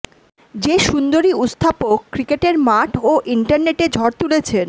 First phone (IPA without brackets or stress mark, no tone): d͡ʑ